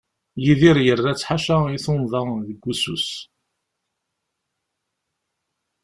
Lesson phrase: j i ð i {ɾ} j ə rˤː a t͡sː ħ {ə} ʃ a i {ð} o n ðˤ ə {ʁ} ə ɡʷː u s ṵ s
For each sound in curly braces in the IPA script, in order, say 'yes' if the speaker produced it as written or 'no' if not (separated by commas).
yes, no, no, no